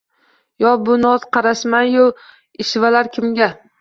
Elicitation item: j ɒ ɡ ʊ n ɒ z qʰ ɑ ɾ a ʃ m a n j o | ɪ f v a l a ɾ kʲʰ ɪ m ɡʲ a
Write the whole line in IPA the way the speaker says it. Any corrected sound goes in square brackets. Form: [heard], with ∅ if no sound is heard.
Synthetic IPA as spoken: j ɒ [b] ʊ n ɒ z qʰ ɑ ɾ a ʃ m a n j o | ɪ [ʃ] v a l a ɾ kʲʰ ɪ m ɡʲ a